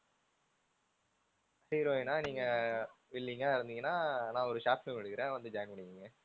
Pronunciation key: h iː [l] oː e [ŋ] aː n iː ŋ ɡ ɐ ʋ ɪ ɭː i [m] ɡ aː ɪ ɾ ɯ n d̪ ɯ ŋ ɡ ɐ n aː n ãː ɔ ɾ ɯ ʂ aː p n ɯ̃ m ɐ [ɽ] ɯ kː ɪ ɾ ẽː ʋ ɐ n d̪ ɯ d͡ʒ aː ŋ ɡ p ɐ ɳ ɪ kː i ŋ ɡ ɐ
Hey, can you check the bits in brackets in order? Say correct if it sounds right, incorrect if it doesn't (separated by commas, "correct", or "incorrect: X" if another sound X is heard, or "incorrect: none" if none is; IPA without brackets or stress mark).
incorrect: ɾ, incorrect: n, incorrect: ŋ, correct